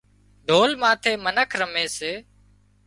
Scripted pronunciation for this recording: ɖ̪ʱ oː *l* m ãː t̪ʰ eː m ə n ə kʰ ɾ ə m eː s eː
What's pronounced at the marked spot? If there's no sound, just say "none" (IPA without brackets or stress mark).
l